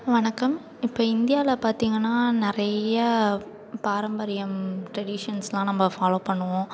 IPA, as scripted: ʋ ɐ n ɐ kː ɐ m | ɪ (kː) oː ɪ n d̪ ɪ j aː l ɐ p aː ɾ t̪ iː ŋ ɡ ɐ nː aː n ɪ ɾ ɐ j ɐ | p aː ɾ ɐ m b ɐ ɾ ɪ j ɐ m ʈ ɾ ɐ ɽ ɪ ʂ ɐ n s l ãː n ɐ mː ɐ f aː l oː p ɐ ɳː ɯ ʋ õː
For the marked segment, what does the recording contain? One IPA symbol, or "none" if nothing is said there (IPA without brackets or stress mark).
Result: pː